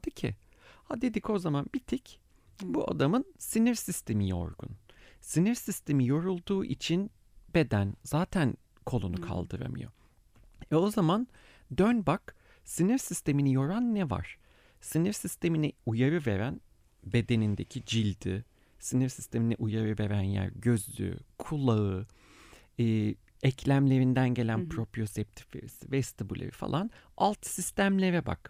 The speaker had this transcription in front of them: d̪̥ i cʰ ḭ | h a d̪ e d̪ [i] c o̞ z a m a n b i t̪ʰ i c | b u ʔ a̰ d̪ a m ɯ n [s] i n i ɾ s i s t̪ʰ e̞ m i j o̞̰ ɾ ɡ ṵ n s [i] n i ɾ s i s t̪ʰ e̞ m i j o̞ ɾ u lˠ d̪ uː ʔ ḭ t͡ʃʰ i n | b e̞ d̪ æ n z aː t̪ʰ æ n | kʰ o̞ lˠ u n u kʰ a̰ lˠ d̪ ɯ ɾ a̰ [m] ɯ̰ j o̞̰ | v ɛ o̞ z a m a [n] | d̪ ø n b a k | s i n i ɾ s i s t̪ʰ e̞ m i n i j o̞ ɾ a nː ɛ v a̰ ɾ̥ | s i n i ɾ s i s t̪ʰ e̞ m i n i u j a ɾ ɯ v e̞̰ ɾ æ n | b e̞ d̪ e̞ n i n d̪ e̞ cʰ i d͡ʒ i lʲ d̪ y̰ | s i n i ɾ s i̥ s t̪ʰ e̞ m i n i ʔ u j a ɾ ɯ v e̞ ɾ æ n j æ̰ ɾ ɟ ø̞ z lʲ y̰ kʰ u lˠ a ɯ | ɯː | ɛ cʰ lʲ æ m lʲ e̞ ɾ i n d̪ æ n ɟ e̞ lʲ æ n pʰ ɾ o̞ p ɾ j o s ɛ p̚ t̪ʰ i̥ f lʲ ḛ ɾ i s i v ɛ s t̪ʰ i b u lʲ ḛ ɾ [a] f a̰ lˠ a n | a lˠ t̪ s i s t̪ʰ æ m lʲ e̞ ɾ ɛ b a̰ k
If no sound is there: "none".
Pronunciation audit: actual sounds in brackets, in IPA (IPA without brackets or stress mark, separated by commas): i, s, i, m, n, i